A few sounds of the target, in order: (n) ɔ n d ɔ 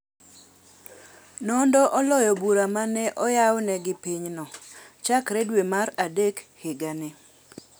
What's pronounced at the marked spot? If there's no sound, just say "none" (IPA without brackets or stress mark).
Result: n